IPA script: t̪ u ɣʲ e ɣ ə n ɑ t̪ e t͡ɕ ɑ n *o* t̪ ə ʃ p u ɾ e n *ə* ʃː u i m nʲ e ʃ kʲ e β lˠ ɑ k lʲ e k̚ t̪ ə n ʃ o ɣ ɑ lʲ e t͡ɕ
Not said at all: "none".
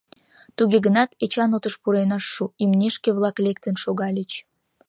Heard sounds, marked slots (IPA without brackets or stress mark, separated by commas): o, ɑ